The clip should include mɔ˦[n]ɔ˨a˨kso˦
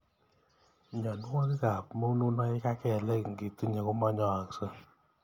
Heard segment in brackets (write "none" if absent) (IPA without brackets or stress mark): ɲ